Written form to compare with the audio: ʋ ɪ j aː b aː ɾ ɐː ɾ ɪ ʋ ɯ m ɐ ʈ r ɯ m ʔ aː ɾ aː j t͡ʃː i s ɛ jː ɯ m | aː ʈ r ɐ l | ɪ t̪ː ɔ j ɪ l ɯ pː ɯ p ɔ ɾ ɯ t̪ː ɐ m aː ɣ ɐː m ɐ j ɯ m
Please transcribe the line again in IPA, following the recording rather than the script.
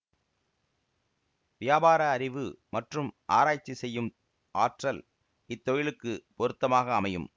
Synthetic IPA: ʋ ɪ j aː b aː ɾ ɐː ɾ ɪ ʋ ɯ m ɐ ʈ r ɯ m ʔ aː ɾ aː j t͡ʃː i s ɛ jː ɯ m | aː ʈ r ɐ l | ɪ t̪ː ɔ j ɪ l ɯ kː ɯ p ɔ ɾ ɯ t̪ː ɐ m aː ɣ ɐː m ɐ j ɯ m